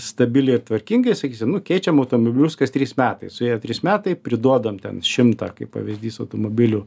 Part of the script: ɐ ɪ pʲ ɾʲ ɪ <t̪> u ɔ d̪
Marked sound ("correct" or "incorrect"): incorrect